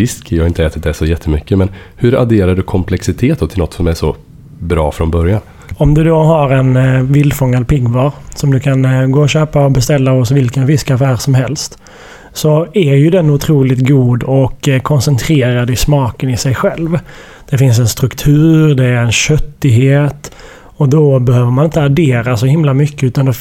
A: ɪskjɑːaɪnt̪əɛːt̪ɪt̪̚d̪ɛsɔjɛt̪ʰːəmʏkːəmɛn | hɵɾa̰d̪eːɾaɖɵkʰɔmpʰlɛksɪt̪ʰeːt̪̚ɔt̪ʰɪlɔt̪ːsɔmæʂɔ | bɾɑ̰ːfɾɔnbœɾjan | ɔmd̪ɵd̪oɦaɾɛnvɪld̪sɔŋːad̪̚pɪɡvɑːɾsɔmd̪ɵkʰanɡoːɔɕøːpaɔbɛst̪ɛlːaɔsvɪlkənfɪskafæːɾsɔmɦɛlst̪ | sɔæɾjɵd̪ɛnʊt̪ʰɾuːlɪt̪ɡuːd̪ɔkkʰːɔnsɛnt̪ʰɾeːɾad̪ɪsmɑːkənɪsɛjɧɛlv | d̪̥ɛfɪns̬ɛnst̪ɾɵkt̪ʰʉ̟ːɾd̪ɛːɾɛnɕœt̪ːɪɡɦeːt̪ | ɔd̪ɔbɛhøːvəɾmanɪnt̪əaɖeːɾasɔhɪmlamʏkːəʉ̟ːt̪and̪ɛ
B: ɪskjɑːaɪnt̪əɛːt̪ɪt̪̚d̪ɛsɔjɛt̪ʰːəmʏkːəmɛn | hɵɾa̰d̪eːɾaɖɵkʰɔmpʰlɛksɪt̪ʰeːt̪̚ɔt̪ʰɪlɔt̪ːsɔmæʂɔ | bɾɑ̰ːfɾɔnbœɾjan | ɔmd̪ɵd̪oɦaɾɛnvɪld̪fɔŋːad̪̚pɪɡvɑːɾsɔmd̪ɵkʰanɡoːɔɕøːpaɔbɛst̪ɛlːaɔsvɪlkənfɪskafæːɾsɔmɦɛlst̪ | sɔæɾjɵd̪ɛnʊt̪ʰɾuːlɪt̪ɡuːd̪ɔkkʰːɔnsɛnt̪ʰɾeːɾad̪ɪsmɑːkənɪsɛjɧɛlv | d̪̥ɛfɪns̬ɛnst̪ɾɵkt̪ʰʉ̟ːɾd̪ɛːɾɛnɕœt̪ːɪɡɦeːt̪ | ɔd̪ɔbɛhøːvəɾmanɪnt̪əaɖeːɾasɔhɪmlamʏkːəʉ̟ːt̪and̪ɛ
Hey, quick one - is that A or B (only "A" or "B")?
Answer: B